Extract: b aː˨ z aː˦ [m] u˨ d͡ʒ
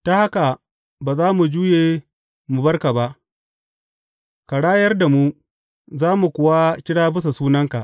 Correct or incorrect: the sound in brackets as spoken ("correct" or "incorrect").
correct